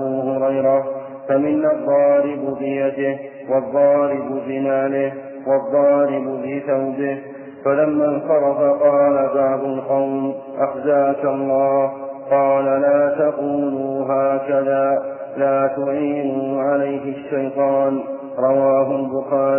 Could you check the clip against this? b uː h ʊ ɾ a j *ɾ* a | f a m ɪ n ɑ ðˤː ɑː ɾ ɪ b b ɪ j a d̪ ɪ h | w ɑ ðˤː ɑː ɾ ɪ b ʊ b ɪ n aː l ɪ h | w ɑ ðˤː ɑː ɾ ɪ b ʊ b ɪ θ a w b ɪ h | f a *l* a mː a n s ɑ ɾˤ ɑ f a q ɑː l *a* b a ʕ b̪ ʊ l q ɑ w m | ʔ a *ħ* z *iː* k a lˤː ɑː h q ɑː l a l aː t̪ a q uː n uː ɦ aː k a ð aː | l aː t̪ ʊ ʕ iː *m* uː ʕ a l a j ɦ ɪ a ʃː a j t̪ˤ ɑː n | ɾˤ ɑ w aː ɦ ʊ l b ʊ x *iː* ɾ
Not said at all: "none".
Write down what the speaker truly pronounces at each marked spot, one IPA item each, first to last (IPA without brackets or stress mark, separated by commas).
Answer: ɾ, l, a, x, aː, n, aː